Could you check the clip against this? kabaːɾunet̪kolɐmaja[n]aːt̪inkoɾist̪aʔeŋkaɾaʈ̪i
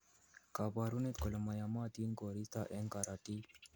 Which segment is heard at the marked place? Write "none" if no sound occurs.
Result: m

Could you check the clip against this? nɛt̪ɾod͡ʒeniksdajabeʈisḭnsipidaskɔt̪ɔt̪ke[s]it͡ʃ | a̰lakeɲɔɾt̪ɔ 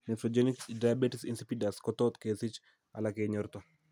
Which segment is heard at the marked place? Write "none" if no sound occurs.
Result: s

